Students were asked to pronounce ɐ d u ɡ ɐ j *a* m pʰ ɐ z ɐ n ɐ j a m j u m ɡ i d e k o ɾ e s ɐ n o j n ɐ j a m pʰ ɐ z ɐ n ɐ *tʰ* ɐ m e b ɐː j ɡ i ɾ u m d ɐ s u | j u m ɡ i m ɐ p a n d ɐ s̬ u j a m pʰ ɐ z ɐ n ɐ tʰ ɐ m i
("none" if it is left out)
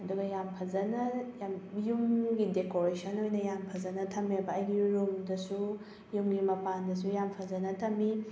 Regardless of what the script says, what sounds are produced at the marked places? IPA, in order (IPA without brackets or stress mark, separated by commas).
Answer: a, tʰ